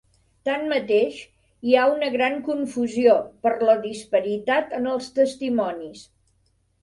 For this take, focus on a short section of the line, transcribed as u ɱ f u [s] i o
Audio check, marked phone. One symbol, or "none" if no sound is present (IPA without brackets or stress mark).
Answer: z